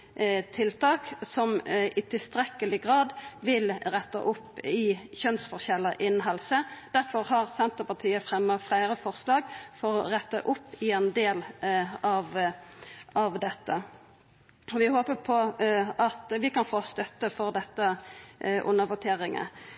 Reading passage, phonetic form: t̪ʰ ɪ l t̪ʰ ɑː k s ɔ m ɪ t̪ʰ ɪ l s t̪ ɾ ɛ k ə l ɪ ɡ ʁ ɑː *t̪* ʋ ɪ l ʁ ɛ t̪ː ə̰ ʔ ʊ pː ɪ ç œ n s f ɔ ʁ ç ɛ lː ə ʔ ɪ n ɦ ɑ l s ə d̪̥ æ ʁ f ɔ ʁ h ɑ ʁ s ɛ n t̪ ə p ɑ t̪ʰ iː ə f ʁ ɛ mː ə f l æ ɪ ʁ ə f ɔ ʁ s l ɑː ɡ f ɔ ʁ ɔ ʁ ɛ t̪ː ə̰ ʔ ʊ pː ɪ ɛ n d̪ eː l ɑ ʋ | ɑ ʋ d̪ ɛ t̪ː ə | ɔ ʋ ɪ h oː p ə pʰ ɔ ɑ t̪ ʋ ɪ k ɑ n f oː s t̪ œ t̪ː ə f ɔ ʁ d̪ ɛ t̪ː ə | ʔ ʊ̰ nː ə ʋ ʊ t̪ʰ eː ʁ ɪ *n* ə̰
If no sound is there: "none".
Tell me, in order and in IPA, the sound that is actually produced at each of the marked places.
d̪, ŋ

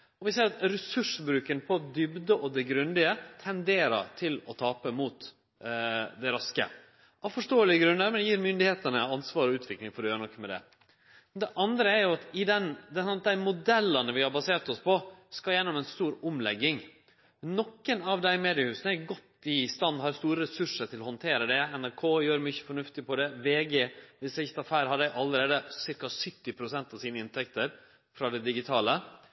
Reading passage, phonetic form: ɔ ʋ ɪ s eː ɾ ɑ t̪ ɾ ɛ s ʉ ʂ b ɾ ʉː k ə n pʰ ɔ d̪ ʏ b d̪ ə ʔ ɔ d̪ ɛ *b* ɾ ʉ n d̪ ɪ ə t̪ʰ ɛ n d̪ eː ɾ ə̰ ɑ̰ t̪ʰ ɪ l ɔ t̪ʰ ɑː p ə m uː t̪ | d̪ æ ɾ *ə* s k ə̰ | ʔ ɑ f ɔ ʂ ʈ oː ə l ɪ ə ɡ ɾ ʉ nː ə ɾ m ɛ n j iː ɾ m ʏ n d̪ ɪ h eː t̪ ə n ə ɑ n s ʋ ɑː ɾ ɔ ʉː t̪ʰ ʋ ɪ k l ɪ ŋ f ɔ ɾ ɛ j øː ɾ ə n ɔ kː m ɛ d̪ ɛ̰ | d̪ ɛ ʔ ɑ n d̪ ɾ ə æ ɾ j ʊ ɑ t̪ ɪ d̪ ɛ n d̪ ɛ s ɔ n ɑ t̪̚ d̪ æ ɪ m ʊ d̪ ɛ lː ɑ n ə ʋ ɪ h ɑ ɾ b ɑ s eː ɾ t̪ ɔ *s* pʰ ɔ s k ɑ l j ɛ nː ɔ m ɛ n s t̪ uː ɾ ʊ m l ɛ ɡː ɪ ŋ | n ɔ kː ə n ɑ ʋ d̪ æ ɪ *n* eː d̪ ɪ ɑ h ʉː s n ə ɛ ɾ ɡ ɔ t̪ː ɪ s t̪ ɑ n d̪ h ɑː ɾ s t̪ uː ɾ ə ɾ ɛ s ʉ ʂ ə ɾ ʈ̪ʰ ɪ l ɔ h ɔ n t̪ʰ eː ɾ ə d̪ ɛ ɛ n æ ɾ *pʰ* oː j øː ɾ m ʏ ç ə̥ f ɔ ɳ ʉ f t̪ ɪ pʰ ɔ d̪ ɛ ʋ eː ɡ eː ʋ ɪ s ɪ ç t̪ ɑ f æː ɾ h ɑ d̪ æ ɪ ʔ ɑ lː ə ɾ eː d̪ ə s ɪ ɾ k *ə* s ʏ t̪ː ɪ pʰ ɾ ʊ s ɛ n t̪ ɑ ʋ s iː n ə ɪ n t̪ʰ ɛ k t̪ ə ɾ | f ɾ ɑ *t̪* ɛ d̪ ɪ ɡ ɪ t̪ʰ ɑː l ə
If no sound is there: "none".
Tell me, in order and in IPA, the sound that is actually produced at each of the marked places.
ɡ, ɑ, s, m, kʰ, ɑ, d̪

